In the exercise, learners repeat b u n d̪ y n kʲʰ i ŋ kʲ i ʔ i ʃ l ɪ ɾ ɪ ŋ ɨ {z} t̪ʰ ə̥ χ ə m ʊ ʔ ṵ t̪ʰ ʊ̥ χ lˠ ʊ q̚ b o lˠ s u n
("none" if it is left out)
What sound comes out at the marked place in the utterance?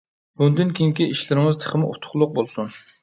z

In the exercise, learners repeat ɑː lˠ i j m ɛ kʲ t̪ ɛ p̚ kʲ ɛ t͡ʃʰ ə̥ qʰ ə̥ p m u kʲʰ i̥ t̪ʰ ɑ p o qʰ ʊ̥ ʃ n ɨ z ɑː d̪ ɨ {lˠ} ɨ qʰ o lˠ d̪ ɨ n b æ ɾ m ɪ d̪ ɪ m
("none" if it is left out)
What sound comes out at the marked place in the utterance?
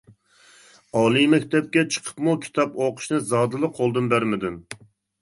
lˠ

